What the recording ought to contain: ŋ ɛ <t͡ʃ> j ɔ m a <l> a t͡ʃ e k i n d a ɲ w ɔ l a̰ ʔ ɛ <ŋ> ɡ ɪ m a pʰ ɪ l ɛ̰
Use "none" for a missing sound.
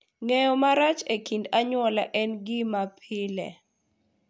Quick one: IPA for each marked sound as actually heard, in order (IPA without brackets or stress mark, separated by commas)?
none, ɾ, n